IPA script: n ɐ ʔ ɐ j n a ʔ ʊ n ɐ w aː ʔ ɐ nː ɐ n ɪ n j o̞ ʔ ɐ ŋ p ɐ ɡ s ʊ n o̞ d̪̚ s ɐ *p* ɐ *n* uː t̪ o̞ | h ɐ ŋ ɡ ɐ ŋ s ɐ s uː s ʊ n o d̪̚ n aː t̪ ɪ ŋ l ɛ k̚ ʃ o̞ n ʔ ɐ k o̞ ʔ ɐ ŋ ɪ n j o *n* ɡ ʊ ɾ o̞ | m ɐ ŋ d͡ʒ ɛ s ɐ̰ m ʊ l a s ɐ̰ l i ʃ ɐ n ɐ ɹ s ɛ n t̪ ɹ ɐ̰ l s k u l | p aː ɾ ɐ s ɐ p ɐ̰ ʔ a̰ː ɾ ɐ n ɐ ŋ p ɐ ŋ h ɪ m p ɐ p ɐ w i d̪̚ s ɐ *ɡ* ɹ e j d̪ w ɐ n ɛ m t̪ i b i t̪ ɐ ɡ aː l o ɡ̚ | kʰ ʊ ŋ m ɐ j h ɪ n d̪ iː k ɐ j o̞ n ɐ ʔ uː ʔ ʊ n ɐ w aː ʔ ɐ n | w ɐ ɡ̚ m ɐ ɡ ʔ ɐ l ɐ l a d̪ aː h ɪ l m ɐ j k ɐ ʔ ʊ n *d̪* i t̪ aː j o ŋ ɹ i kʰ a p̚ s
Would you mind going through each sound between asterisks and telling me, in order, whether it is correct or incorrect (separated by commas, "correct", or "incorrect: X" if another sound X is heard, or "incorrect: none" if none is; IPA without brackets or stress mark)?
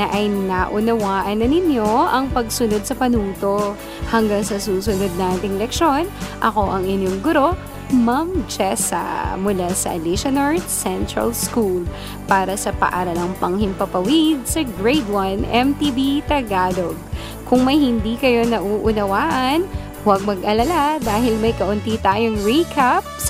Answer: correct, correct, incorrect: ŋ, correct, incorrect: t̪